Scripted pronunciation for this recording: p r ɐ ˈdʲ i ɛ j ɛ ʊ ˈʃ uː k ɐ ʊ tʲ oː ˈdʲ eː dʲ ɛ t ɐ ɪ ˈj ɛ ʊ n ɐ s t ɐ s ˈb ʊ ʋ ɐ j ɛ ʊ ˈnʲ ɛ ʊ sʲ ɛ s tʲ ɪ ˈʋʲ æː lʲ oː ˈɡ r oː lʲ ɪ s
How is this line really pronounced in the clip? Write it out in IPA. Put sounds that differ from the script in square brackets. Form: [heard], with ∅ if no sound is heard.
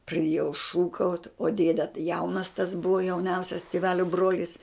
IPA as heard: p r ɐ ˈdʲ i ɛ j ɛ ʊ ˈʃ uː k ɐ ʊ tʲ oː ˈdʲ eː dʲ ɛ t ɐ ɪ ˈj ɛ ʊ n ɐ s t ɐ s ˈb ʊ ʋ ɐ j ɛ ʊ ˈnʲ ɛ ʊ sʲ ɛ s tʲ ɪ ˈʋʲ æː lʲ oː [ˈb] r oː lʲ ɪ s